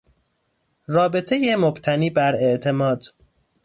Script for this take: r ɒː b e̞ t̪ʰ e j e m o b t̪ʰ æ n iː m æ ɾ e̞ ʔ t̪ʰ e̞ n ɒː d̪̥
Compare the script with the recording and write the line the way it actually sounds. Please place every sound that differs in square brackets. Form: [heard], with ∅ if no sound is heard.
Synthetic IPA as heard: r ɒː b e̞ t̪ʰ e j e m o b t̪ʰ æ n iː [b] æ ɾ e̞ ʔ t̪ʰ e̞ [m] ɒː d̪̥